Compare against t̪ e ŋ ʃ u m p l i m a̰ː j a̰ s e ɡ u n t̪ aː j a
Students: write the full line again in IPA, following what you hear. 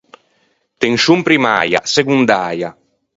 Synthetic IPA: t̪ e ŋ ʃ u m p ɾ i m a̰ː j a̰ s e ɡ u n d̪ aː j a